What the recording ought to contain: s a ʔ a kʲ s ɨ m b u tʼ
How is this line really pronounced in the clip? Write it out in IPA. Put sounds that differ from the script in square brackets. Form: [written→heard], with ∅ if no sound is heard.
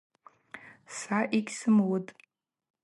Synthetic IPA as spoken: s a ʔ [a→i] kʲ s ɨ m [b→w] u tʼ